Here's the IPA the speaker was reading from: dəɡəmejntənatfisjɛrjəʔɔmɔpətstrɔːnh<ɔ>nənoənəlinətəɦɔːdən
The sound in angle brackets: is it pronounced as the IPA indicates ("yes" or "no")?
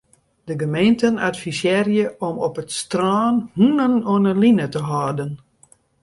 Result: no